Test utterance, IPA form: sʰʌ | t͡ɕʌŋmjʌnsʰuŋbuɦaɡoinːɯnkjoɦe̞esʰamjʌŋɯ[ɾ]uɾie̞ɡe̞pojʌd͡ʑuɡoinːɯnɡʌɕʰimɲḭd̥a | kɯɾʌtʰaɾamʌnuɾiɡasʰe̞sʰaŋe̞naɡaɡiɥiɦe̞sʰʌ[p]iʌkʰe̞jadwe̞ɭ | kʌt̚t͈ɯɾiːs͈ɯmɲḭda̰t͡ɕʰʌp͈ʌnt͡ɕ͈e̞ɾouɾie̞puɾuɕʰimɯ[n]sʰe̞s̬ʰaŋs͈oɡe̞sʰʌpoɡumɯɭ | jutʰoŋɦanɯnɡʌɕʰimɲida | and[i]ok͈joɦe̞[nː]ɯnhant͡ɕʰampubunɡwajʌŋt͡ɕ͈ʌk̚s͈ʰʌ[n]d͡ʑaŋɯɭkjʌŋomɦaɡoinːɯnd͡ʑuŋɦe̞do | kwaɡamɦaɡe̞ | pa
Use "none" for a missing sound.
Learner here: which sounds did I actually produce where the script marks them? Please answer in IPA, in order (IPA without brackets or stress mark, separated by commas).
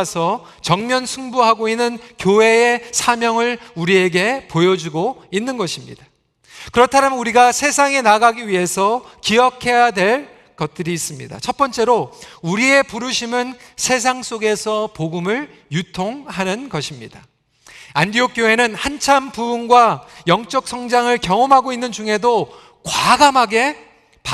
ɭ, k, n, i, n, ŋ